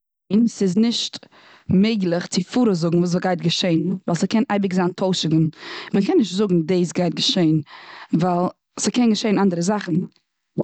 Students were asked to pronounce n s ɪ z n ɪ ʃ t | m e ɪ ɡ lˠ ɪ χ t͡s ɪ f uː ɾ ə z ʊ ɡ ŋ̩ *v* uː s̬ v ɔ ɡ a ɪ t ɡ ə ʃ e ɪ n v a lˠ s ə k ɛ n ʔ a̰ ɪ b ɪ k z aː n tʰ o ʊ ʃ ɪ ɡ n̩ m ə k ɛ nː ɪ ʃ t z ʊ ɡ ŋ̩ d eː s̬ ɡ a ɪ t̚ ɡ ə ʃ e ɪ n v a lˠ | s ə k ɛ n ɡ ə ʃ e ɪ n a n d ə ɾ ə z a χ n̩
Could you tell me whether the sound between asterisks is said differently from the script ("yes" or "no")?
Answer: no